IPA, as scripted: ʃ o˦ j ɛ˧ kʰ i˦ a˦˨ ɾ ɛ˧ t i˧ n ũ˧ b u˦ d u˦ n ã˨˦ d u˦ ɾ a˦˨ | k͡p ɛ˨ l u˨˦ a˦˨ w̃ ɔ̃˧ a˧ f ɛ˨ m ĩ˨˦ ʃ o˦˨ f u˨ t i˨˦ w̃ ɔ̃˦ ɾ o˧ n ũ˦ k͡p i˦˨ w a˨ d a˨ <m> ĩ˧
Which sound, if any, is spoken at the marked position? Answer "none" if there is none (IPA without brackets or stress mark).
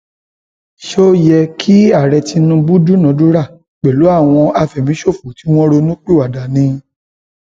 n